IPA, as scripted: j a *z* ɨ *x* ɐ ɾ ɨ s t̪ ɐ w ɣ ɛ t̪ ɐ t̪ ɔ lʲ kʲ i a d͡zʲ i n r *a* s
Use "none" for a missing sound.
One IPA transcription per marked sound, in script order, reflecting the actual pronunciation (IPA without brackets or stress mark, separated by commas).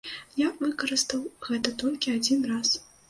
v, k, a